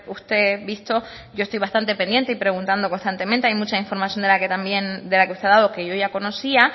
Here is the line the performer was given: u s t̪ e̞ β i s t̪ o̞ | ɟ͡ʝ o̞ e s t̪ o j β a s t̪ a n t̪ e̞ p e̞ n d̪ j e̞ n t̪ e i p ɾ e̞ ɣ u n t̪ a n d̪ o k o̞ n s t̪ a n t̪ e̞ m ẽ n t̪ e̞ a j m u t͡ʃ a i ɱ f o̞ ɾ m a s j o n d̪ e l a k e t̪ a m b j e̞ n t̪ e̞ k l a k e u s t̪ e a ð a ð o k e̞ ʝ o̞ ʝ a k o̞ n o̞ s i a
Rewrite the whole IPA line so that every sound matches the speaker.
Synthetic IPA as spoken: u s t̪ e̞ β i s t̪ o̞ | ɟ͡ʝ o̞ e s t̪ o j β a s t̪ a n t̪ e̞ p e̞ n d̪ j e̞ n t̪ e i p ɾ e̞ ɣ u n t̪ a n d̪ o k o̞ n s t̪ a n t̪ e̞ m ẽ n t̪ e̞ a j m u t͡ʃ a i ɱ f o̞ ɾ m a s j o n d̪ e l a k e t̪ a m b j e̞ n d̪ e̞ l a k e u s t̪ e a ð a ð o k e̞ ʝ o̞ ʝ a k o̞ n o̞ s i a